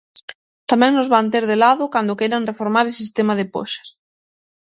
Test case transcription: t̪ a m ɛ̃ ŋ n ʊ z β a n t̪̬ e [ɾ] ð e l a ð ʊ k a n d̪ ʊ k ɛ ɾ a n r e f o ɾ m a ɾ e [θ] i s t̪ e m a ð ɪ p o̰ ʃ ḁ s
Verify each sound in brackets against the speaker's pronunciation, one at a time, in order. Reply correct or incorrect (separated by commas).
correct, incorrect